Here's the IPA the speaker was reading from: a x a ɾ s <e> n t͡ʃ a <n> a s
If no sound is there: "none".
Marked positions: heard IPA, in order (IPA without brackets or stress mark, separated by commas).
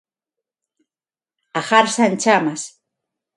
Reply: a, m